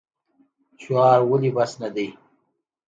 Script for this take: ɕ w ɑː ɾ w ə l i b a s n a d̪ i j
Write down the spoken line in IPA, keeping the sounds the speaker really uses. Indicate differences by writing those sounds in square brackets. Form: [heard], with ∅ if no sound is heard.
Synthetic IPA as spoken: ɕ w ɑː ɾ w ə l i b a s n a d̪ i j